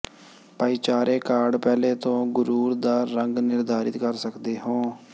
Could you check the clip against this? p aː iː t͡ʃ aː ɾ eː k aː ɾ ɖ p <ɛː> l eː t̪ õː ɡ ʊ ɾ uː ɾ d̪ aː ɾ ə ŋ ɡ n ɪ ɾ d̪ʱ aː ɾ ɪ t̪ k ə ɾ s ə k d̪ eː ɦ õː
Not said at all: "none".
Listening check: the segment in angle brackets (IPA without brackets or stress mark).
ɛː